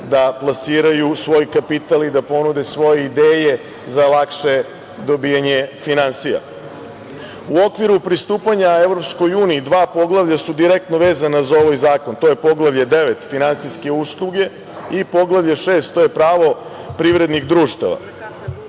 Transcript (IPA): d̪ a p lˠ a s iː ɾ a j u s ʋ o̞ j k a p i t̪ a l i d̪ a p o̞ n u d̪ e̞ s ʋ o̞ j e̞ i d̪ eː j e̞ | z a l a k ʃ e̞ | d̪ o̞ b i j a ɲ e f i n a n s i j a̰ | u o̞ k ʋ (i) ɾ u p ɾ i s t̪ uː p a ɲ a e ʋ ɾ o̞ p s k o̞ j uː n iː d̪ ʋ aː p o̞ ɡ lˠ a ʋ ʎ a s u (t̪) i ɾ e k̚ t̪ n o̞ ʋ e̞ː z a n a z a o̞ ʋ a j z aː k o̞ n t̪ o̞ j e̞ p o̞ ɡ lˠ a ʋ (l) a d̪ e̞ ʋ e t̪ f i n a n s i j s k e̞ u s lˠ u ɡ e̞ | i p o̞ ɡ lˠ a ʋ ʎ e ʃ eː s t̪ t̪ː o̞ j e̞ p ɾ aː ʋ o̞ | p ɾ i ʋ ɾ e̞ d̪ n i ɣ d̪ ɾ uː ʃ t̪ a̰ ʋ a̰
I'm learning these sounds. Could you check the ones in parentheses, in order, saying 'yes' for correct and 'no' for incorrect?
yes, no, no

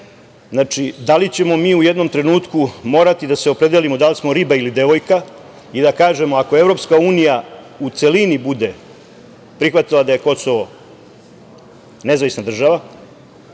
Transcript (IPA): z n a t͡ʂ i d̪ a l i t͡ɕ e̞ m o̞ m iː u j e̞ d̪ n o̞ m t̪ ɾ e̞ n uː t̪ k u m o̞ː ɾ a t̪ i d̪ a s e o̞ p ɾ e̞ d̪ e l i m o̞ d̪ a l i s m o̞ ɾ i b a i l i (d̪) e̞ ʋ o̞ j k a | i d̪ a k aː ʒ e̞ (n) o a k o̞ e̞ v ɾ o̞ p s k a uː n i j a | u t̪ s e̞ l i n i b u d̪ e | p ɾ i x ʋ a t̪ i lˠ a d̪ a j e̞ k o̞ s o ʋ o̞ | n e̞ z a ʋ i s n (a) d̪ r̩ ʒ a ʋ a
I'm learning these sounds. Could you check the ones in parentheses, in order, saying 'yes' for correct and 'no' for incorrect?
yes, no, yes

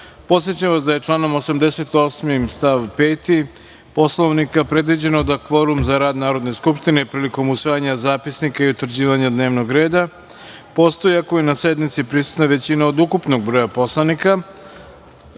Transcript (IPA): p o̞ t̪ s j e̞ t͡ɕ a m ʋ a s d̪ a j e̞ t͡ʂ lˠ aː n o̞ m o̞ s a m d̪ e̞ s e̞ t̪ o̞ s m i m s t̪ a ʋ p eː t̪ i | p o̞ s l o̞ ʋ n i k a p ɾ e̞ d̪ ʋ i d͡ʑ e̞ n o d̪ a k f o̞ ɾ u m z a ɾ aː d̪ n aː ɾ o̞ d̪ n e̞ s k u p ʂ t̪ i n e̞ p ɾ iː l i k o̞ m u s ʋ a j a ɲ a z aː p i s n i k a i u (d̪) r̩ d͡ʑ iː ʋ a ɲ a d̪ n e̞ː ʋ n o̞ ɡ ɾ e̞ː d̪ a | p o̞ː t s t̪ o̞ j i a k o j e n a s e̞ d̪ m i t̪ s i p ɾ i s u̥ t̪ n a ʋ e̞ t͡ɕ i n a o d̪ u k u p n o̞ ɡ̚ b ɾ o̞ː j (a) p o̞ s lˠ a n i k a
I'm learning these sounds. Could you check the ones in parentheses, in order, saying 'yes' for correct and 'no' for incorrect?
no, yes

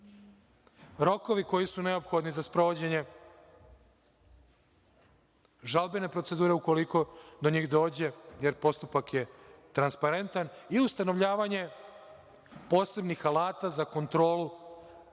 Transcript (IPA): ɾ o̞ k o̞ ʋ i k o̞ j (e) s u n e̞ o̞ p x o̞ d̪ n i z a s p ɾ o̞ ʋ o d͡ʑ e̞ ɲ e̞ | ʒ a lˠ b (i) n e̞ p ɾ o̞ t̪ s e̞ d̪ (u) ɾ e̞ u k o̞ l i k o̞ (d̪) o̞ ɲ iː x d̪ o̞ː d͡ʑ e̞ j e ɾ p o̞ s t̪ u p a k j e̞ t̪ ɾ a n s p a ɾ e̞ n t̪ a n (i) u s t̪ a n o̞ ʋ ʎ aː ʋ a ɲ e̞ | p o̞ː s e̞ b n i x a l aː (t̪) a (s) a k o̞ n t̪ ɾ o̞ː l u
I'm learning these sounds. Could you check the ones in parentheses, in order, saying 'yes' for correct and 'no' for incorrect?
no, no, no, yes, yes, yes, no

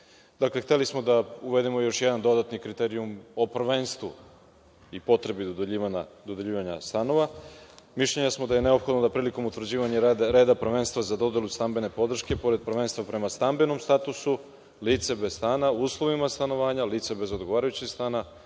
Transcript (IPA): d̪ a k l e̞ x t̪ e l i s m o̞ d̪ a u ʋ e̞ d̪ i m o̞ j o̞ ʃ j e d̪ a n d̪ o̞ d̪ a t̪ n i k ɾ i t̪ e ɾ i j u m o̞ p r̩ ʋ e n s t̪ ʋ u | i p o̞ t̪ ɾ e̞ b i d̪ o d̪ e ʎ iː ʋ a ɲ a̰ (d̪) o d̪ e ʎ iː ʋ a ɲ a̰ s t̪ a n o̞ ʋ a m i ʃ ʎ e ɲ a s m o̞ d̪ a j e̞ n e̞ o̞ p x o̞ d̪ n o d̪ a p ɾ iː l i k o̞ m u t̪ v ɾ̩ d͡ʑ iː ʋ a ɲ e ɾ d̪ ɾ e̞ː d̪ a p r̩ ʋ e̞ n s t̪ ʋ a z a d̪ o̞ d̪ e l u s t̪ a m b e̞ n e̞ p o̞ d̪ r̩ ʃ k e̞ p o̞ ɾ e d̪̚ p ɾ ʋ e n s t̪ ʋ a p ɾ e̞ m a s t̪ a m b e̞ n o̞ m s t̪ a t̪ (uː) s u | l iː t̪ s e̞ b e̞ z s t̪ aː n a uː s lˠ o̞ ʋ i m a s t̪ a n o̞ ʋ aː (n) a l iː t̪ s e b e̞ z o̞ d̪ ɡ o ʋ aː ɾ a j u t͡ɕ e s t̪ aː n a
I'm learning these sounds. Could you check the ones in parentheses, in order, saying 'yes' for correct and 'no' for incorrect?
yes, no, no

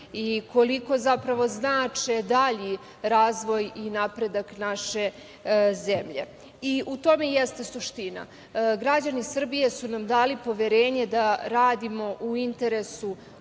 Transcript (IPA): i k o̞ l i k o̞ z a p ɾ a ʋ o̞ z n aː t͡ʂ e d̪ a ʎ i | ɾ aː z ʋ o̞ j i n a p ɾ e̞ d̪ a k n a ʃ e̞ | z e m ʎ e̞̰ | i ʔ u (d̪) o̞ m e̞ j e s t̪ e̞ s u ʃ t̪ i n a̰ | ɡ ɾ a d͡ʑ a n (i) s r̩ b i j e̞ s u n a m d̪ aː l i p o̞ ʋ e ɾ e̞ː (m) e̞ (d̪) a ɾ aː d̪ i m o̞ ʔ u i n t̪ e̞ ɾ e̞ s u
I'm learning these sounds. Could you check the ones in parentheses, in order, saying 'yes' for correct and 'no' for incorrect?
no, yes, no, yes

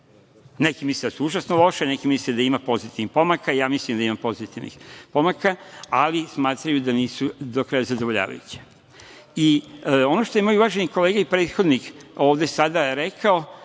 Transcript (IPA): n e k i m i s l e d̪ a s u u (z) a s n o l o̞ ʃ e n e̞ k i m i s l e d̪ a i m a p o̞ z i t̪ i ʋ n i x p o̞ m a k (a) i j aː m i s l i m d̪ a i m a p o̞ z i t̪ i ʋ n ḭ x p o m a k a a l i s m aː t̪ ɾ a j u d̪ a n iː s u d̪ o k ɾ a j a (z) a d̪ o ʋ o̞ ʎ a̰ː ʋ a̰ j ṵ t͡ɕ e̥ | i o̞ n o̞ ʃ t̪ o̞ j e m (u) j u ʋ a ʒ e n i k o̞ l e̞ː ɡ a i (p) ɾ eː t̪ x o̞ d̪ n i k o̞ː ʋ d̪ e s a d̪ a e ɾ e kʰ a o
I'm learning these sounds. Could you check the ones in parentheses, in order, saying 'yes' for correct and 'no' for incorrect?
no, yes, yes, no, yes

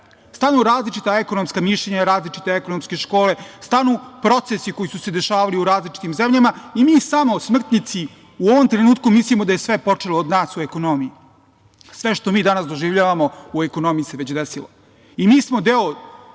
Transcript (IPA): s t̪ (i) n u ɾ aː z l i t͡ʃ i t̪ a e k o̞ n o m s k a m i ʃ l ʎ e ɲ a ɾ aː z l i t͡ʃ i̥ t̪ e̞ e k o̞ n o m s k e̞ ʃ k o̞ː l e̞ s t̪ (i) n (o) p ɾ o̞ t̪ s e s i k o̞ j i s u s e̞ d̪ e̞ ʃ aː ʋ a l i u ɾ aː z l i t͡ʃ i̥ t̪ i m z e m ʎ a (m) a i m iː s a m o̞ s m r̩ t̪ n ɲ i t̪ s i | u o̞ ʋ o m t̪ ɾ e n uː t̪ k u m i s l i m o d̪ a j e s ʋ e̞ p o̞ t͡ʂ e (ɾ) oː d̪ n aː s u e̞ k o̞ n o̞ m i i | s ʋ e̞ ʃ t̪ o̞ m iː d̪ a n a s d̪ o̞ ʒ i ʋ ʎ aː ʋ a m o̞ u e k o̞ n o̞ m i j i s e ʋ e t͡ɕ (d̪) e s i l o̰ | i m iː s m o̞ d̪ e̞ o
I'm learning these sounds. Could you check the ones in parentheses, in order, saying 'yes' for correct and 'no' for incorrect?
no, no, no, yes, no, yes

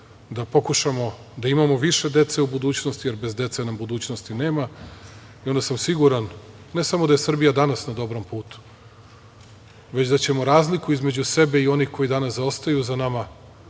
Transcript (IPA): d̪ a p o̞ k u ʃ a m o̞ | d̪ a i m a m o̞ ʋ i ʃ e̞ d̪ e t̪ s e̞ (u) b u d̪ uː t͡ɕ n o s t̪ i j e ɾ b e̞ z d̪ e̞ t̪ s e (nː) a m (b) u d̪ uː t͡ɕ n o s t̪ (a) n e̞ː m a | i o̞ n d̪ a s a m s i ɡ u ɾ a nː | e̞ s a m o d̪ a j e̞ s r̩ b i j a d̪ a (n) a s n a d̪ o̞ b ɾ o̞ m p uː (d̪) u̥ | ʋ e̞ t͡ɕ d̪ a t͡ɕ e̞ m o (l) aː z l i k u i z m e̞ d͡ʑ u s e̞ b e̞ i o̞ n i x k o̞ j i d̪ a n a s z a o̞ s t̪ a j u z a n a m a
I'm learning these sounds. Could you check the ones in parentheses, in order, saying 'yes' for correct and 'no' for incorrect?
yes, no, yes, no, yes, no, no

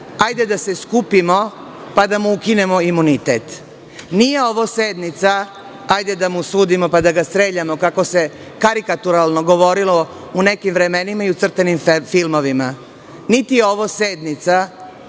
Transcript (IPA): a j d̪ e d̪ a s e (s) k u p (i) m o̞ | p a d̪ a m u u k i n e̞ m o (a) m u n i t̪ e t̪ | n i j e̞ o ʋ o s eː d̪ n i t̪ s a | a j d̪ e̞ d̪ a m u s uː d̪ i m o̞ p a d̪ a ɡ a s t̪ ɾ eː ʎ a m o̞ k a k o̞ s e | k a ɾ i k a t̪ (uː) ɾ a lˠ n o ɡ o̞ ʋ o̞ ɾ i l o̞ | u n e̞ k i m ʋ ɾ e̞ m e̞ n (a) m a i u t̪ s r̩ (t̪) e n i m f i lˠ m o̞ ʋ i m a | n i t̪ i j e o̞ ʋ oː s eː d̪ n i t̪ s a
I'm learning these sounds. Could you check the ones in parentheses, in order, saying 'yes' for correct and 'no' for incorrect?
yes, yes, no, no, no, yes

